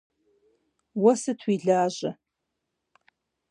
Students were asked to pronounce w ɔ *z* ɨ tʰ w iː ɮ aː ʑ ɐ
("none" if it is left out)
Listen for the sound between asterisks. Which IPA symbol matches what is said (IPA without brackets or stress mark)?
s